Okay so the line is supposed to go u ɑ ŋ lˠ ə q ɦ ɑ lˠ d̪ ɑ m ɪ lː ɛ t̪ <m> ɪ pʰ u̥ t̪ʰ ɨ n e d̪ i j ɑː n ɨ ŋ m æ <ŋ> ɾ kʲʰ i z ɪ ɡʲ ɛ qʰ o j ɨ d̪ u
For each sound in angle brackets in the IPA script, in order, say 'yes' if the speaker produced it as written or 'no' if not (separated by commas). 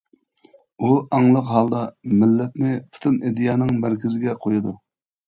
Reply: no, no